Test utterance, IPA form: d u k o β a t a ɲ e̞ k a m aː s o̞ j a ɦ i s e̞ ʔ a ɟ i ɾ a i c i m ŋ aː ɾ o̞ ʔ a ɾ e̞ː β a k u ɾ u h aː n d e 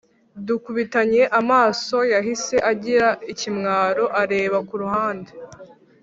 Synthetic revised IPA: d u k u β i t a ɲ e̞ ʔ a m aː s o̞ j a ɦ i s e̞ ʔ a ɟ i ɾ a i c i m ŋ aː ɾ o̞ ʔ a ɾ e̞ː β a k u ɾ u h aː n d e